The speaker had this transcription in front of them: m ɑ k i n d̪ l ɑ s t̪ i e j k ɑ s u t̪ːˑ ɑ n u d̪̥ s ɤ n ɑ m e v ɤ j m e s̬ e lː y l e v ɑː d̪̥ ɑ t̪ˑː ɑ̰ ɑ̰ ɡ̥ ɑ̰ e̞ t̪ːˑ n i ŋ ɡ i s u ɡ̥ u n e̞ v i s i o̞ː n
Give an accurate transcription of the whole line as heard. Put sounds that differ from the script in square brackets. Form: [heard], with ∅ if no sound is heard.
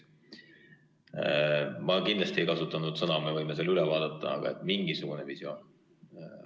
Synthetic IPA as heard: m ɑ k i n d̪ l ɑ s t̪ i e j k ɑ s u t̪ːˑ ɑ n u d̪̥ s ɤ n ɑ m e v ɤ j m e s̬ e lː y l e v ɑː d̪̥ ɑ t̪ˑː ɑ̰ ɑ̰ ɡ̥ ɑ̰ e̞ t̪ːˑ [m] i ŋ ɡ i s u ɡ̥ u n e̞ v i s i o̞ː n